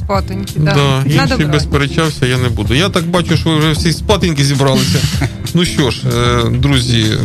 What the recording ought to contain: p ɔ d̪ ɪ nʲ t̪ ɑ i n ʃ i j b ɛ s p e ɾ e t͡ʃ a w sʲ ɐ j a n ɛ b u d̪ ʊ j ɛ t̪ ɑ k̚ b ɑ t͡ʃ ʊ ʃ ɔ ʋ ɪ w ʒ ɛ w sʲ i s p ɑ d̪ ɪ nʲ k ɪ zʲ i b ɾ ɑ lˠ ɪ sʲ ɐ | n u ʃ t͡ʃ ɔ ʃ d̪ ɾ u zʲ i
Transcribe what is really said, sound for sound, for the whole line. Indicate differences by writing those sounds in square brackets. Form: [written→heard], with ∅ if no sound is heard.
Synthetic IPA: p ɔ [d̪→t̪] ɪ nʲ [t̪→d̪] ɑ i n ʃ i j b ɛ s p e ɾ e t͡ʃ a w sʲ ɐ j a n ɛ b u d̪ ʊ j [ɛ→a] t̪ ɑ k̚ b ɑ t͡ʃ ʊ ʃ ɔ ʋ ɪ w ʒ ɛ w sʲ i s p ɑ [d̪→t̪] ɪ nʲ k ɪ zʲ i b ɾ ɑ lˠ ɪ sʲ ɐ | n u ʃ t͡ʃ ɔ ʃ d̪ ɾ u zʲ i